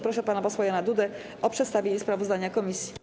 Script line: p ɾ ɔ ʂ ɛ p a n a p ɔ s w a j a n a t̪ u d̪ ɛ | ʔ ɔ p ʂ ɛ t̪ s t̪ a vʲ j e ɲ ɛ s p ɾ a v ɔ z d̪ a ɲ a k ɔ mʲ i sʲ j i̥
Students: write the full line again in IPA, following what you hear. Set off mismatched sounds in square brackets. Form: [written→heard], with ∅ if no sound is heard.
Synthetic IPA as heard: p ɾ ɔ ʂ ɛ p a n a p ɔ s w a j a n a [t̪→d̪] u d̪ ɛ | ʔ ɔ p ʂ ɛ t̪ s t̪ a vʲ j e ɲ ɛ s p ɾ a v ɔ z d̪ a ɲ a k ɔ mʲ i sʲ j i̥